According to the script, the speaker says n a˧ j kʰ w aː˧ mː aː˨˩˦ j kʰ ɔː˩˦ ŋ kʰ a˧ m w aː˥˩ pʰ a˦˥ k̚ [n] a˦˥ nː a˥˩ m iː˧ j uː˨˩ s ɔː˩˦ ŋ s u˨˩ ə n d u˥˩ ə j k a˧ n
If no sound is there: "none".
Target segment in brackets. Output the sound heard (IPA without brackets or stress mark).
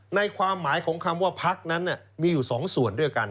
n